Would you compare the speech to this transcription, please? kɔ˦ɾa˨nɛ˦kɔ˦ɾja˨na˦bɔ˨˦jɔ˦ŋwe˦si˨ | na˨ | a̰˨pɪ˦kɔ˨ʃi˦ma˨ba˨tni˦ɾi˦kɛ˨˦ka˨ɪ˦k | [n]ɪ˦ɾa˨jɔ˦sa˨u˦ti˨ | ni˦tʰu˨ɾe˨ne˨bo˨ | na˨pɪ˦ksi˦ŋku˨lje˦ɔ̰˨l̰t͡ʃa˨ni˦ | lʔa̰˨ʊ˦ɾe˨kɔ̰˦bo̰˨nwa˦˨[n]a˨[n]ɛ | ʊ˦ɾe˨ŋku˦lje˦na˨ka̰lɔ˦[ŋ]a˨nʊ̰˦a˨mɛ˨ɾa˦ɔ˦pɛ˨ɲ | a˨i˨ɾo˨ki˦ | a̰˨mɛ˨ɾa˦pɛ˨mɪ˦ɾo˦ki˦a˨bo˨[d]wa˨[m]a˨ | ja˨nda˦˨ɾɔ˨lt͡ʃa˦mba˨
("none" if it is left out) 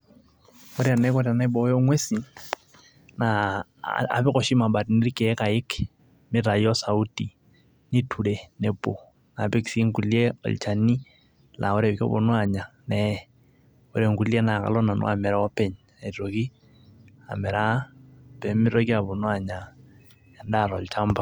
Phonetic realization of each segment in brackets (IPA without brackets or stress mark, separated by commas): m, ɲ, n, n, n, ɲ